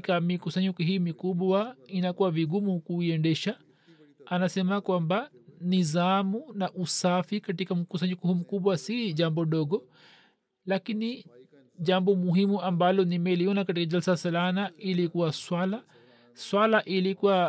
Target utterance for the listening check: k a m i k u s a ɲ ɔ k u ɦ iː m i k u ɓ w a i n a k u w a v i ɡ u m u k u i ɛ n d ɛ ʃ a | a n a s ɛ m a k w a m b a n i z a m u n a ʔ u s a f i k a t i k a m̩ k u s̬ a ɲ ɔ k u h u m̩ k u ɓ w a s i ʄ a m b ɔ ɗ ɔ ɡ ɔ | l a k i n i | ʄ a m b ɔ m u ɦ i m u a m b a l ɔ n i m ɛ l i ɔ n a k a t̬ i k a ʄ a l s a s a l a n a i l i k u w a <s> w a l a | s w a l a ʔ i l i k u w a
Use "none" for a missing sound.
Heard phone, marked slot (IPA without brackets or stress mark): s